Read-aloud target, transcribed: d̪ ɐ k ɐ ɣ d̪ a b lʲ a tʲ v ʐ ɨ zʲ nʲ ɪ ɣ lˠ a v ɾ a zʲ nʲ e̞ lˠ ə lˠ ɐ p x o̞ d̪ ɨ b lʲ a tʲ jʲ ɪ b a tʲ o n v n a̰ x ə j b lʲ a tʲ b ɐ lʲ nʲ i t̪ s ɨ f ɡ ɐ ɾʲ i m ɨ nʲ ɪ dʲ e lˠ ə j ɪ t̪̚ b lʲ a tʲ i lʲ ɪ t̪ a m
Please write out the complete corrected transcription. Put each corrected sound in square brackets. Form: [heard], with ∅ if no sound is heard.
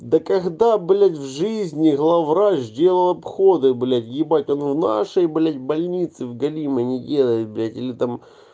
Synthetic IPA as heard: d̪ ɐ k ɐ ɣ d̪ a b lʲ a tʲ v ʐ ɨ zʲ nʲ ɪ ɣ lˠ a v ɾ a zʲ [dʲ] e̞ lˠ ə lˠ ɐ p x o̞ d̪ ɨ b lʲ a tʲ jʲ ɪ b a tʲ o n v n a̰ [ʂ] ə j b lʲ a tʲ b ɐ lʲ nʲ i t̪ s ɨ [v] ɡ ɐ [lʲ] i m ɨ nʲ ɪ dʲ e lˠ ə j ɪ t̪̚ b lʲ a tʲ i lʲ ɪ t̪ a m